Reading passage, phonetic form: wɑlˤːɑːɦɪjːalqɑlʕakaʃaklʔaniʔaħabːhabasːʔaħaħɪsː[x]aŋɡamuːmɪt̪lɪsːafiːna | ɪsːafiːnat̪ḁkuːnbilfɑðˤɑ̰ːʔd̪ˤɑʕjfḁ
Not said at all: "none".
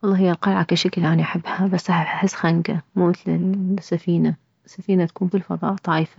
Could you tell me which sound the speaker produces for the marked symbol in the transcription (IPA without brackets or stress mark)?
x